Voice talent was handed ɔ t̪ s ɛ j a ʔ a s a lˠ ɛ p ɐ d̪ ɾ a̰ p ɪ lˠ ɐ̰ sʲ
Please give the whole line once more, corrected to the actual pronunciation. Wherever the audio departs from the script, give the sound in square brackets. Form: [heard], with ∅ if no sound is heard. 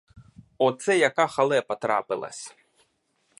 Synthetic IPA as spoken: ɔ t̪ s ɛ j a [k] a [x] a lˠ ɛ p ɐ [t̪] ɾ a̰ p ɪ lˠ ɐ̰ sʲ